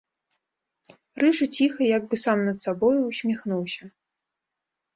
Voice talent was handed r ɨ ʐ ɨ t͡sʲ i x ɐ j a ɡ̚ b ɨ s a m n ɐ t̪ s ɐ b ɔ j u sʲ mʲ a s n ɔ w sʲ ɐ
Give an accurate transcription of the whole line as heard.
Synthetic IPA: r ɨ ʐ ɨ t͡sʲ i x ɐ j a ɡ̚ b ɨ s a m n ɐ t̪ s a b ɔ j u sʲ mʲ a x n u w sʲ ɐ